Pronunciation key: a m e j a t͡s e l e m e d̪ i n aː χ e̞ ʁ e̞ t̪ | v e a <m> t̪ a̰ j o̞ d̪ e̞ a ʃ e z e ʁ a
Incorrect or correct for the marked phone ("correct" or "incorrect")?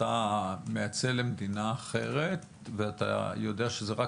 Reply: incorrect